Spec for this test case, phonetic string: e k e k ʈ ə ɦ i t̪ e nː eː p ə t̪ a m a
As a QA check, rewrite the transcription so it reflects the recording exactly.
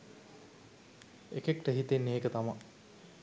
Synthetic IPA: e k e k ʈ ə ɦ i t̪ e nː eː k ə t̪ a m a

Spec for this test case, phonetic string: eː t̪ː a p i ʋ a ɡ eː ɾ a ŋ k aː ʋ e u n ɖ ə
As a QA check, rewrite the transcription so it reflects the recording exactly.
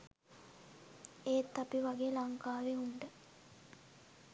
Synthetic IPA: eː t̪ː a p i ʋ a ɡ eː l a ŋ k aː ʋ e u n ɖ ə

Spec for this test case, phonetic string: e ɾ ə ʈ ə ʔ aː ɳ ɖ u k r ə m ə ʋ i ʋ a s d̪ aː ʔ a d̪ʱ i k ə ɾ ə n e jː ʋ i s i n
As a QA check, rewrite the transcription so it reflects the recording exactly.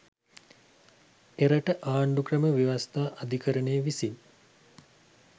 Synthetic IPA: e ɾ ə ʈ ə ʔ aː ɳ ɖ u k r ə m ə ʋ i ʋ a s t̪ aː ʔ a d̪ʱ i k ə ɾ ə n e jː ʋ i s i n

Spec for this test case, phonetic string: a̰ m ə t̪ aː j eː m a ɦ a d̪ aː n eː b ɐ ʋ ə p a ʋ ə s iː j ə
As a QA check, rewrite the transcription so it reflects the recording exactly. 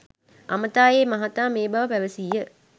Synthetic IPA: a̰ m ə t̪ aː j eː m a ɦ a t̪ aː m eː b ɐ ʋ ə p æ ʋ ə s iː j ə

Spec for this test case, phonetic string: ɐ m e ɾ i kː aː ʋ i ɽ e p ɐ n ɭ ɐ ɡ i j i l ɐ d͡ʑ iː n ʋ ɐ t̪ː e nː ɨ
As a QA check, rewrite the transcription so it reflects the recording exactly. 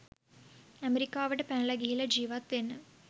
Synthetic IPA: ɐ m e ɾ i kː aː ʋ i ɽ e p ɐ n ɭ ɐ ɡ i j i l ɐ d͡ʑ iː ʋ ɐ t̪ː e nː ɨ

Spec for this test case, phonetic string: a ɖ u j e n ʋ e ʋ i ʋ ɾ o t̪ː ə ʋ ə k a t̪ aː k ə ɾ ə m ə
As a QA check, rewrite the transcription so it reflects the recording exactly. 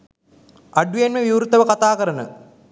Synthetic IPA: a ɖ u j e n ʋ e ʋ i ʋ ɾ u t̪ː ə ʋ ə k a t̪ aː k ə ɾ ə n ə

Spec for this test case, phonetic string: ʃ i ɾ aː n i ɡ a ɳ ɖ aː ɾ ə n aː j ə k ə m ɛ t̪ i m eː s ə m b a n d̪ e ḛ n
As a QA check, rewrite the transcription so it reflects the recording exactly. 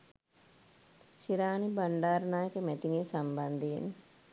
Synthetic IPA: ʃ i ɾ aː n i b a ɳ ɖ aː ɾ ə n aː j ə k ə m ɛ t̪ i ŋ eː s a m b a n d̪ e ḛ n

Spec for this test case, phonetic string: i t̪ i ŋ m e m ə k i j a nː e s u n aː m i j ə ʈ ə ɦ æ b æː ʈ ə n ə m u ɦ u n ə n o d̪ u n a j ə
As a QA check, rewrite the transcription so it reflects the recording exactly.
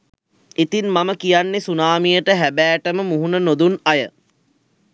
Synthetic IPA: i t̪ i n m a m ə k i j a nː e s u n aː m i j ə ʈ ə ɦ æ b æː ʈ ə m ə m u ɦ u n ə n o d̪ u n a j ə

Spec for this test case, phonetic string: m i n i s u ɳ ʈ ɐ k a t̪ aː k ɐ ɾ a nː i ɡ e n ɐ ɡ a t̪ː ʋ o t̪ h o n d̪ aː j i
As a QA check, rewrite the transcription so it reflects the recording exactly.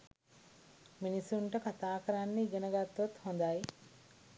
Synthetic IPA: m i n i s u ɳ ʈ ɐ k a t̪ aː k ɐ ɾ a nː i ɡ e n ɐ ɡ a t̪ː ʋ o t̪ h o n d̪ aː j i

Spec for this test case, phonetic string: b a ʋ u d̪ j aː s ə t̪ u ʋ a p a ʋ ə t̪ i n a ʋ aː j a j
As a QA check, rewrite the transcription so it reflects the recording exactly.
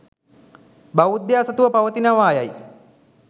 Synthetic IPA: b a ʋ u d̪ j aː s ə t̪ u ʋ ə p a ʋ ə t̪ i n a ʋ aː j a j

